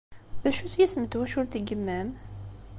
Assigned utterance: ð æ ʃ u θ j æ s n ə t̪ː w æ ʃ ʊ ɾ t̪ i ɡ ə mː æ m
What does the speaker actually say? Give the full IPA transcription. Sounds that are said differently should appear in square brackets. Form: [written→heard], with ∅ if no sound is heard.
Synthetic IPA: ð æ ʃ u θ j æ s [n→m] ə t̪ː w æ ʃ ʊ ɾ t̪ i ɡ ə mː æ m

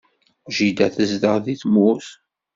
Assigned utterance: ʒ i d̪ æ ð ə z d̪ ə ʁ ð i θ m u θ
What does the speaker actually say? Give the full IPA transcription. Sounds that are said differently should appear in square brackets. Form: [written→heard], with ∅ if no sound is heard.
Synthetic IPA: ʒ i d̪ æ [ð→θ] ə z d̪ ə ʁ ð i θ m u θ

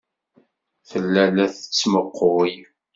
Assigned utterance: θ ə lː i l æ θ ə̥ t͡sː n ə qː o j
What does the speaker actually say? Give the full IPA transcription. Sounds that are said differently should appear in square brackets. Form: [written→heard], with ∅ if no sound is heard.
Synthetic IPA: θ ə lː [i→æ] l æ θ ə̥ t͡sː [n→m] ə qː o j

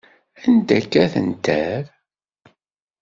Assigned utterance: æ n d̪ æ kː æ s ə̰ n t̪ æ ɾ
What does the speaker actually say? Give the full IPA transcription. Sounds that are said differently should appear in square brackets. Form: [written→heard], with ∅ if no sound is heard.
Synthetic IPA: æ n d̪ æ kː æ [s→θ] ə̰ n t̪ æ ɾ

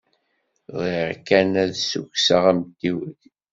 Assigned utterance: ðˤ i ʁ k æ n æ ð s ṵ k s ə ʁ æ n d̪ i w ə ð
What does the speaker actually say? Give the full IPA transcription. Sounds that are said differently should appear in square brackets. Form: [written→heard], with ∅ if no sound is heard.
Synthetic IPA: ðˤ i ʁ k æ n æ ð s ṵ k s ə ʁ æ [n→m] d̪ i w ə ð

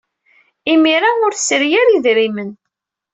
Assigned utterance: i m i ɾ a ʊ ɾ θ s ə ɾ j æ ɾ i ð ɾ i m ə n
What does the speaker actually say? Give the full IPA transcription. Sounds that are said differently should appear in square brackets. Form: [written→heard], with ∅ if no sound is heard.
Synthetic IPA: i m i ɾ a ʊ ɾ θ s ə ɾ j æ ɾ i ð ɾ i m ə n

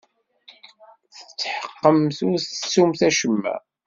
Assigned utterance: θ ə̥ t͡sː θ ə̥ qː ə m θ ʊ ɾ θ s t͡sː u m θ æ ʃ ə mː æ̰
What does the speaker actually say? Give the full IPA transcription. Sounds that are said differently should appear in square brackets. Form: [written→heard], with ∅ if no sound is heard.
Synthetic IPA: θ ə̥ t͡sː [θ→ħ] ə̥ qː ə m θ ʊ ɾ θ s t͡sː u m θ æ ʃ ə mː æ̰

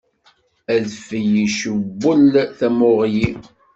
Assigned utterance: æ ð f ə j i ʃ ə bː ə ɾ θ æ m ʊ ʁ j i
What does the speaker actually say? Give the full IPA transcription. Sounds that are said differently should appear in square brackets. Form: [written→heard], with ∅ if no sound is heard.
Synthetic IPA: æ ð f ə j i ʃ ə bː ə [ɾ→l] θ æ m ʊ ʁ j i

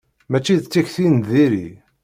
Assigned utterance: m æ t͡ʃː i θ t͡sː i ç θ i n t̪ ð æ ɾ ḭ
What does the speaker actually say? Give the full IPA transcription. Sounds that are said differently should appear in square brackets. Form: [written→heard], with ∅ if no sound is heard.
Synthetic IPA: m æ t͡ʃː i [θ→ð] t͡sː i ç θ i n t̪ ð [æ→i] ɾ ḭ

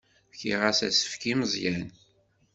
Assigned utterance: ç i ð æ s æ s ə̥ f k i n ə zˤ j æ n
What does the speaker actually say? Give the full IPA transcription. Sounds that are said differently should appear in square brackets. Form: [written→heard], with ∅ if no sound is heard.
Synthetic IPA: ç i [ð→ʁ] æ s æ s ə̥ f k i [n→m] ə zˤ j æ n

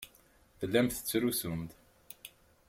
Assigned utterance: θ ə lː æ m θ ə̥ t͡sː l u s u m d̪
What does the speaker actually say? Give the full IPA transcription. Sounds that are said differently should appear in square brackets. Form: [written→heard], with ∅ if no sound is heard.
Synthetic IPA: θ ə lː æ m θ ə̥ t͡sː [l→ɾ] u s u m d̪

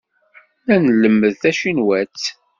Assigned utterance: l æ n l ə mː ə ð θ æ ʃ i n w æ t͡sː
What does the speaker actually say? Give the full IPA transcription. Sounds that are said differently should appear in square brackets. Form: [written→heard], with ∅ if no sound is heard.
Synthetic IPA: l æ n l ə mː ə ð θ æ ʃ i n w æ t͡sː

